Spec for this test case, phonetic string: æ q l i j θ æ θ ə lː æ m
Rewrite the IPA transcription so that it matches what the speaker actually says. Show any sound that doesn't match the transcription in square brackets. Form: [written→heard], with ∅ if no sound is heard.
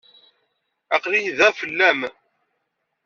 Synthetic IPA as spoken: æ q l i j [θ→ð] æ [θ→f] ə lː æ m